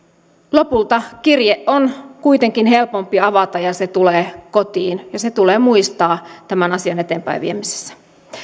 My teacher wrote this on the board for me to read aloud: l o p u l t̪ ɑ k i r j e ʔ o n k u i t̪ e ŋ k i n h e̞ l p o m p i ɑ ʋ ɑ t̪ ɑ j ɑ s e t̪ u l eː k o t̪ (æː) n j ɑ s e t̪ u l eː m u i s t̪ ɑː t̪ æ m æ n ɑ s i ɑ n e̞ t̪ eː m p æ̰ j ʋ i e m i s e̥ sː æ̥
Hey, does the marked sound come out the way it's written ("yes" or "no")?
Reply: no